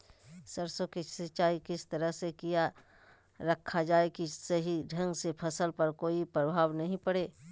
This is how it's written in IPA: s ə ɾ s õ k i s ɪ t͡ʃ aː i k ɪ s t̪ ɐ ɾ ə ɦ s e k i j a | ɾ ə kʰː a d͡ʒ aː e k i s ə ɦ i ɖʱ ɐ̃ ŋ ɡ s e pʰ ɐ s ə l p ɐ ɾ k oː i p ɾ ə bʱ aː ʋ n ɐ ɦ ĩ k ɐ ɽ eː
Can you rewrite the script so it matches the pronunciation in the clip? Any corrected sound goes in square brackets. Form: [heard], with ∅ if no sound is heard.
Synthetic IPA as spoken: s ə ɾ s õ k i s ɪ t͡ʃ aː i k ɪ s t̪ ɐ ɾ ə ɦ s e k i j a | ɾ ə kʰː a d͡ʒ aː e k i s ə ɦ i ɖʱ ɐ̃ ŋ ɡ s e pʰ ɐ s ə l p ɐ ɾ k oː i p ɾ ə bʱ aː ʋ n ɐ ɦ ĩ [p] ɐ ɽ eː